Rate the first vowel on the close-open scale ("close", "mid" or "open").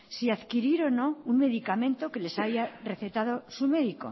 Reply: close